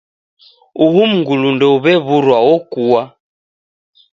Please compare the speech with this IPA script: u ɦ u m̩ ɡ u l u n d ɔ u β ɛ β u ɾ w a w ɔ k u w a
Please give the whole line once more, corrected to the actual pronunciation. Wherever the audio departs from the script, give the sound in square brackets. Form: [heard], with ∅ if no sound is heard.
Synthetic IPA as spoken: u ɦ u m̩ ɡ u l u n d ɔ u β ɛ β u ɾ w a w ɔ k u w a